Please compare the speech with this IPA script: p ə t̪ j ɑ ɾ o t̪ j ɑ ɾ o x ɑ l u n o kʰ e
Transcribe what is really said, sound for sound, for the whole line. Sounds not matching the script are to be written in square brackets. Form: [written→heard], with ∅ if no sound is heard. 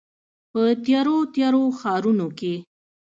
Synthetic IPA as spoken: p ə t̪ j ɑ ɾ o t̪ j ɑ ɾ o x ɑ [l→ɾ] u n o [kʰ→k] e